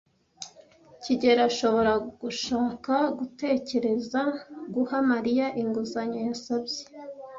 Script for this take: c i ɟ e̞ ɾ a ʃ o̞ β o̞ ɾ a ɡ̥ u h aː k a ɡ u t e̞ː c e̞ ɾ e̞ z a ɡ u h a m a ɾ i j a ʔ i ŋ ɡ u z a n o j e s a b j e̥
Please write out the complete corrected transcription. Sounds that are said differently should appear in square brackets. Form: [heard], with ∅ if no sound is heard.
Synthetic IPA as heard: c i ɟ e̞ ɾ a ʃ o̞ β o̞ ɾ a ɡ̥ u [ʃ] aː k a ɡ u t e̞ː c e̞ ɾ e̞ z a ɡ u h a m a ɾ i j a ʔ i ŋ ɡ u z a [ɲ] o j [a] s a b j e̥